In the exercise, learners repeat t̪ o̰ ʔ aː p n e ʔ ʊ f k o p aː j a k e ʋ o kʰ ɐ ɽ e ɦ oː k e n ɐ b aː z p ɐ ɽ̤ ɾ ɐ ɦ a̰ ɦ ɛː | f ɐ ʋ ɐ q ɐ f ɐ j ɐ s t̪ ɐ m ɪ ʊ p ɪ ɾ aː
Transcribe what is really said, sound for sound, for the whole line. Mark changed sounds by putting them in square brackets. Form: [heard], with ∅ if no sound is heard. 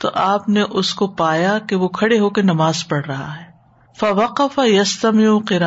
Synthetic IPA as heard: t̪ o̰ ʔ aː p n e ʔ ʊ [s] k o p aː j a k e ʋ o kʰ ɐ ɽ e ɦ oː k e n ɐ [m] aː z p ɐ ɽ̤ ɾ ɐ ɦ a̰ ɦ ɛː | f ɐ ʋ ɐ q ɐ f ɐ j ɐ s t̪ ɐ m ɪ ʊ [q] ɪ ɾ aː